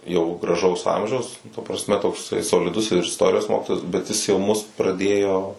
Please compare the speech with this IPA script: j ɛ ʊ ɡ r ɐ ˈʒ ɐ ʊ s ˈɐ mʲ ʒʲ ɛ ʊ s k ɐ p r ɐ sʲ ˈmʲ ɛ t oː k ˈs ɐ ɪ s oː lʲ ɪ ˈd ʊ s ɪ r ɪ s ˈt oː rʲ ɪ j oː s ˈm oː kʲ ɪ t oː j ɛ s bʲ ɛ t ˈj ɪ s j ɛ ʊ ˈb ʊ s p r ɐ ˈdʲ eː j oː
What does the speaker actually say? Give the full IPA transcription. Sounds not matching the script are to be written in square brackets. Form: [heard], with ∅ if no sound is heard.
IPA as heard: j ɛ ʊ ɡ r ɐ ˈʒ ɐ ʊ s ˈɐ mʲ ʒʲ ɛ ʊ s [t] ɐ p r ɐ sʲ ˈmʲ ɛ t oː k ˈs ɐ ɪ s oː lʲ ɪ ˈd ʊ s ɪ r ɪ s ˈt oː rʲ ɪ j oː s ˈm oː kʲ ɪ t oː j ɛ s bʲ ɛ t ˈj ɪ s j ɛ ʊ [ˈm] ʊ s p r ɐ ˈdʲ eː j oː